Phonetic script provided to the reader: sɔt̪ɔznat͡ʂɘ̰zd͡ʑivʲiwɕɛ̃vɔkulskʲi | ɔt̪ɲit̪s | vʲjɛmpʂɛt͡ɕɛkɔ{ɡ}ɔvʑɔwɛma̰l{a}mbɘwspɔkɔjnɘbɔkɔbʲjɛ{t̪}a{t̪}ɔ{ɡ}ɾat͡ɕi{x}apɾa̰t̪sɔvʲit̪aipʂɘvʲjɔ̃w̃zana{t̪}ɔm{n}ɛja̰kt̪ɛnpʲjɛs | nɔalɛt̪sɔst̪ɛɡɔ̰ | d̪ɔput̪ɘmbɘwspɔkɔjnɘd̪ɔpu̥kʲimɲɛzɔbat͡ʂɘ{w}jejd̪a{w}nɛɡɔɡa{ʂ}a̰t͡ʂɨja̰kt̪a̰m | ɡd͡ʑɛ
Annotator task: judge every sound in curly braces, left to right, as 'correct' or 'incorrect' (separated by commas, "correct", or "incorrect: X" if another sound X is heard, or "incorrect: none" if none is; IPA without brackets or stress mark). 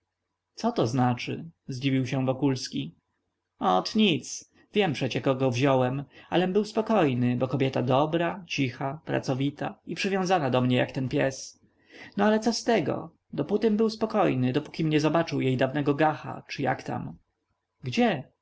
correct, incorrect: ɛ, correct, incorrect: d̪, incorrect: b, correct, incorrect: d̪, incorrect: ɲ, correct, incorrect: v, incorrect: x